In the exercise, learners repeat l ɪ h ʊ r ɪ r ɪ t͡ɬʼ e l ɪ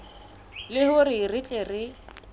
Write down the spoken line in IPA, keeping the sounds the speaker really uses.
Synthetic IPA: l ɪ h ʊ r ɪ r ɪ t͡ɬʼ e r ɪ